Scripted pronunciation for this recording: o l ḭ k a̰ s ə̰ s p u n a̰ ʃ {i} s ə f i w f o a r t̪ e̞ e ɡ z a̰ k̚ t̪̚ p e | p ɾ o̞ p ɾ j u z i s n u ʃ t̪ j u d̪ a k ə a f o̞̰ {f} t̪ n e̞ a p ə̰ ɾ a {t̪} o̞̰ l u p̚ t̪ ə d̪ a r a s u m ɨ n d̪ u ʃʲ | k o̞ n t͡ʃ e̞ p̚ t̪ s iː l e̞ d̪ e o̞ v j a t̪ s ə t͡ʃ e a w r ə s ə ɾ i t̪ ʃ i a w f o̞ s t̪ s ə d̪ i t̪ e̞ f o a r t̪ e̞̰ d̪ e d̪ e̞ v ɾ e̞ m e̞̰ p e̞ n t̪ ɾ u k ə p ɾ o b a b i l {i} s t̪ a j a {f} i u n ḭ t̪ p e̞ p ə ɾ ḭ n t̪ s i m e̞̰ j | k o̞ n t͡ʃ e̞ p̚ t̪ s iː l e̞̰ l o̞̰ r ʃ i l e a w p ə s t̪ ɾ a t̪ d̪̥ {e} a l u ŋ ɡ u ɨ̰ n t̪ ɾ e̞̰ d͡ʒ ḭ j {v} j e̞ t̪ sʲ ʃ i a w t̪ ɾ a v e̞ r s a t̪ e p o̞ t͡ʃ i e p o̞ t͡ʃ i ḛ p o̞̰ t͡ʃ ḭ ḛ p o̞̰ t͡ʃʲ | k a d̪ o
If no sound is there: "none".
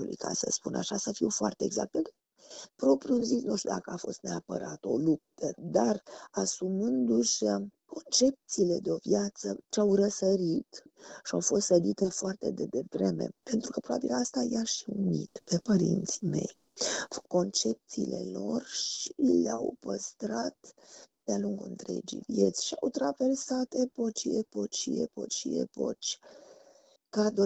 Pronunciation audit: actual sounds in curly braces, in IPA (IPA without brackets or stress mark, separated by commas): a, s, t̪, a, ʃ, e, v